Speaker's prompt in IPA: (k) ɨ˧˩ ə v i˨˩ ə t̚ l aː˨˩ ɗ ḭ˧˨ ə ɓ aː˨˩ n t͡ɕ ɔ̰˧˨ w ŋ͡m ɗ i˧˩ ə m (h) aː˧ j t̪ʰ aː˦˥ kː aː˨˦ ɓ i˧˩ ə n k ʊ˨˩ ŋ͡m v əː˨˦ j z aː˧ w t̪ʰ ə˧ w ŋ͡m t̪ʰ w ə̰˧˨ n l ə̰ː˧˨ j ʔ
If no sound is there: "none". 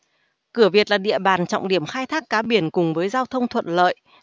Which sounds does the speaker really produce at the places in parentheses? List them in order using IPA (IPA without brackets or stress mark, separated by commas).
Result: k, x